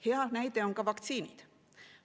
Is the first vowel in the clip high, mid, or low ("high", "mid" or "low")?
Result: mid